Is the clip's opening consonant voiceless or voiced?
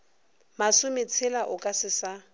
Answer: voiced